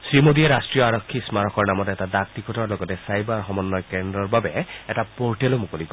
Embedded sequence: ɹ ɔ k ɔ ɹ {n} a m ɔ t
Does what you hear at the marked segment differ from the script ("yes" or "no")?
no